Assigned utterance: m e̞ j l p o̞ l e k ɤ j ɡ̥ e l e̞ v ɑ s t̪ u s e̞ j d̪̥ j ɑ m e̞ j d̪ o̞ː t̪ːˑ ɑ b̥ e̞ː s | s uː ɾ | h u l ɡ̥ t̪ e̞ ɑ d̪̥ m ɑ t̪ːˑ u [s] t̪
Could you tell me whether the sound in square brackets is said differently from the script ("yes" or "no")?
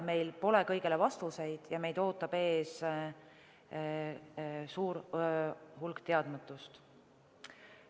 no